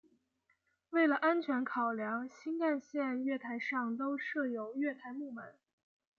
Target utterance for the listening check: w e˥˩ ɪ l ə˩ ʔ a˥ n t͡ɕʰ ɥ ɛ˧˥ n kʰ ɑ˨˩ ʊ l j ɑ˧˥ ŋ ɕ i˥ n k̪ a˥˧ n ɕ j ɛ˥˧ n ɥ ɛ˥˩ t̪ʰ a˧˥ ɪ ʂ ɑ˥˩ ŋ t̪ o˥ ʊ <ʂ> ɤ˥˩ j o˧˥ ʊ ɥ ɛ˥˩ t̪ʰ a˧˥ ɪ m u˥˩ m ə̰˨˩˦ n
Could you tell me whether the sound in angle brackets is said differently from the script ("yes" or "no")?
no